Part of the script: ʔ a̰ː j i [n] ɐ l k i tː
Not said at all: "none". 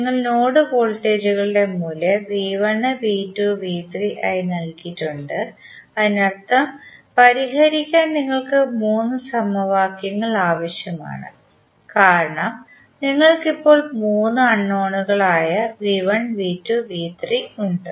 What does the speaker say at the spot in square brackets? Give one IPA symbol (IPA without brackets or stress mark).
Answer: n